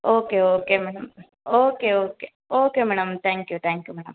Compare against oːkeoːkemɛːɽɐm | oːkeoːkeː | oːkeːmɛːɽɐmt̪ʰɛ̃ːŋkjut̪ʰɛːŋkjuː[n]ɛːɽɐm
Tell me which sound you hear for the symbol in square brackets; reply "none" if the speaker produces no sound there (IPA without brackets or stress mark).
m